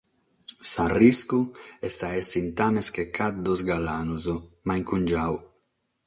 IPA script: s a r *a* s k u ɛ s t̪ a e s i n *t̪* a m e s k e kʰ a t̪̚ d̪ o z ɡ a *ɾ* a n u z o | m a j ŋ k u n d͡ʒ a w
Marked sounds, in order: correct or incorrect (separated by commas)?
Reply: incorrect, correct, incorrect